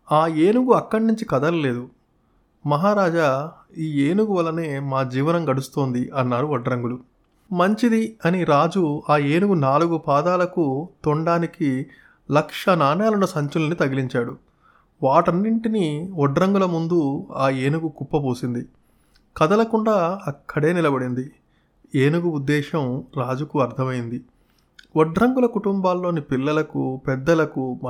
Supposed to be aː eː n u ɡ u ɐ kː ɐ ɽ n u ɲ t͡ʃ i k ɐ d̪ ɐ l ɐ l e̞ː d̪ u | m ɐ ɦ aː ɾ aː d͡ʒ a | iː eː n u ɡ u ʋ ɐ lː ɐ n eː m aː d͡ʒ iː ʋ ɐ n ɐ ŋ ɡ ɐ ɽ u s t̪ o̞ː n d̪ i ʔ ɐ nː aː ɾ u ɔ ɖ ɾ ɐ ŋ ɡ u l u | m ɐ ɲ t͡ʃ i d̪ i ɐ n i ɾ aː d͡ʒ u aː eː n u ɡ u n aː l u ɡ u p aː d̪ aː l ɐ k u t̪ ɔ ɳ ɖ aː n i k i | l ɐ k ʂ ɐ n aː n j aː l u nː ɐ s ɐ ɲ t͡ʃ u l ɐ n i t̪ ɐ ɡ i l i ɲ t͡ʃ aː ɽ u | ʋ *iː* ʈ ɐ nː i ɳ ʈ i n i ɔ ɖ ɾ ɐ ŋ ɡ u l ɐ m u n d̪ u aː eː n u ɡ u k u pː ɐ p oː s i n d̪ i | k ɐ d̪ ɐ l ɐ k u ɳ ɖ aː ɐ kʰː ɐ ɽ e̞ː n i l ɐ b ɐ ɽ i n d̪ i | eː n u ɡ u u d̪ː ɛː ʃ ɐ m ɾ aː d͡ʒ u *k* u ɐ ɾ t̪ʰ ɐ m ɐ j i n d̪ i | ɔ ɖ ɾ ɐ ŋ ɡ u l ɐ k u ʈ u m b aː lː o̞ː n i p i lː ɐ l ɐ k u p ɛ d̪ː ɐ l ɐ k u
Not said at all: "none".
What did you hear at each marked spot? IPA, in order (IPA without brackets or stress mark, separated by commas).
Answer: aː, k